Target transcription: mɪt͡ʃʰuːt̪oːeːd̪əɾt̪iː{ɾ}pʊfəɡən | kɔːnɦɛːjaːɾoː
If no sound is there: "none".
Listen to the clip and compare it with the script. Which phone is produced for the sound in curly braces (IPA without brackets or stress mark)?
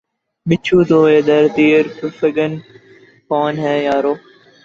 ɾ